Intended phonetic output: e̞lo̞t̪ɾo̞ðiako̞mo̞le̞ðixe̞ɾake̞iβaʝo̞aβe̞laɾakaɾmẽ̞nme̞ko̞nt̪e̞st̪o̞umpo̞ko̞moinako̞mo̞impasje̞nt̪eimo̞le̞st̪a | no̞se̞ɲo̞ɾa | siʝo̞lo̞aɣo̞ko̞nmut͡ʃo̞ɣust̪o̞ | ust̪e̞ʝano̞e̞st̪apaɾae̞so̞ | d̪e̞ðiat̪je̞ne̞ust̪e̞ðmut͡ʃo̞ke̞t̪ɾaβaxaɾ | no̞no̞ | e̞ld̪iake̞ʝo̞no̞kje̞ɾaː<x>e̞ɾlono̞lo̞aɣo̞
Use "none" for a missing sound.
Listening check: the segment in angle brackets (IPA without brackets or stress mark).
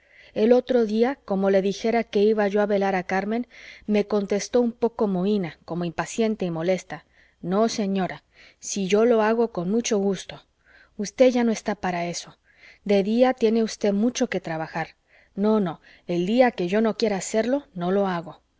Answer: s